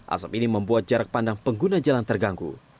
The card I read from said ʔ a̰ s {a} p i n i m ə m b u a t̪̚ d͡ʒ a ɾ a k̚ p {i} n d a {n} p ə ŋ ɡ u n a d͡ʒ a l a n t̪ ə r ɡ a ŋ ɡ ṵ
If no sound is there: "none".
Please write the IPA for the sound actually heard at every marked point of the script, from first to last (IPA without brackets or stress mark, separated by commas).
a, a, ŋ